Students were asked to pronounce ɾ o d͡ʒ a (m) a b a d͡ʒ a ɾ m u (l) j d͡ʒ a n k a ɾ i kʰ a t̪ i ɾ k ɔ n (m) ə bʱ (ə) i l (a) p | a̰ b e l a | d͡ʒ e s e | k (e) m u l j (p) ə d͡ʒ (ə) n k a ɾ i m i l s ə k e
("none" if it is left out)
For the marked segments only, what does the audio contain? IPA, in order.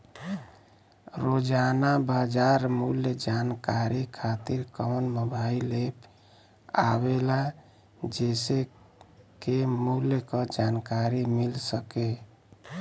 n, l, m, a, e, e, k, a

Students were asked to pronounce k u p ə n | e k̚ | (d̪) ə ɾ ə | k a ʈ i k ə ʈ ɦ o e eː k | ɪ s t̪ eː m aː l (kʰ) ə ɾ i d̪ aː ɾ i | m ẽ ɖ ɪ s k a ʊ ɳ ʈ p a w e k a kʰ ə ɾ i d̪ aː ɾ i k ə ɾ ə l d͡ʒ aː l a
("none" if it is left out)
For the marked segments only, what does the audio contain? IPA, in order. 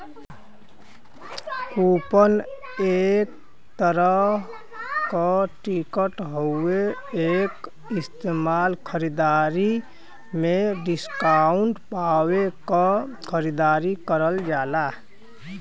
t̪, kʰ

